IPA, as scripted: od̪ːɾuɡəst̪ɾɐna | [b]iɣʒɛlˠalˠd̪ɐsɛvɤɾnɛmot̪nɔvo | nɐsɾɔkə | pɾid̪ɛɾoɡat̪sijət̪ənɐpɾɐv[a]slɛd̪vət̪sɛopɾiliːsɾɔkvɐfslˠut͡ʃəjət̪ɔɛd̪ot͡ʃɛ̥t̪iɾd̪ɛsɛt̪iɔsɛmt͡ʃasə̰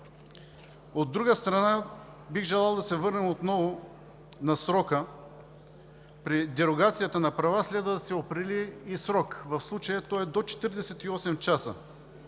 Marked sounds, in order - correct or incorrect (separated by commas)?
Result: correct, correct